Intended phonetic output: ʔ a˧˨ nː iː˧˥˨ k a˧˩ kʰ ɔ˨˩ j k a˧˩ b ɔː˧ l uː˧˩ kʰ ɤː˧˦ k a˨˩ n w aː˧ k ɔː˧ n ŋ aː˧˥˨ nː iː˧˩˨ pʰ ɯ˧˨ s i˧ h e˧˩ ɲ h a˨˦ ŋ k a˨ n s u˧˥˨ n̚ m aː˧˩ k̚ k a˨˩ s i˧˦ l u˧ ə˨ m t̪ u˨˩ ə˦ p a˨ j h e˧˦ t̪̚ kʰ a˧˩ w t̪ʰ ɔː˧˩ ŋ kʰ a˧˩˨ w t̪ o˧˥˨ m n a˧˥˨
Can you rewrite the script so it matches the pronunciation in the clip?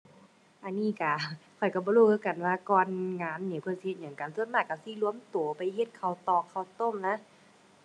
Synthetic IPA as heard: ʔ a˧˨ nː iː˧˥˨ k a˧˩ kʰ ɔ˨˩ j k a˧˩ b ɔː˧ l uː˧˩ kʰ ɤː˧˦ k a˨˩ n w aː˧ k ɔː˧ n ŋ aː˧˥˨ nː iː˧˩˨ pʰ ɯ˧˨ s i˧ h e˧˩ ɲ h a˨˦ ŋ k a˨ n s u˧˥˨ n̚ m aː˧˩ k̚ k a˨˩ s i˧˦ l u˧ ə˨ m t̪ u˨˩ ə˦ p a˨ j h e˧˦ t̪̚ kʰ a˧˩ w t̪ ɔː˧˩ ŋ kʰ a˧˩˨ w t̪ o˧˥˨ m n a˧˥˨